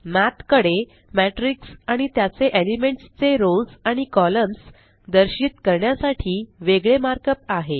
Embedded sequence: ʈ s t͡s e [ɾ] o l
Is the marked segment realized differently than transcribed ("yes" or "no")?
no